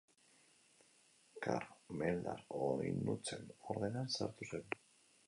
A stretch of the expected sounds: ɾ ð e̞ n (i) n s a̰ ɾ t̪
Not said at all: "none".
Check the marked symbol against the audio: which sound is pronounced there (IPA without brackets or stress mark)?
a